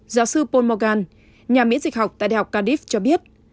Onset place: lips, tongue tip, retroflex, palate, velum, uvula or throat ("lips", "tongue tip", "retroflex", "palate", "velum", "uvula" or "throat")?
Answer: tongue tip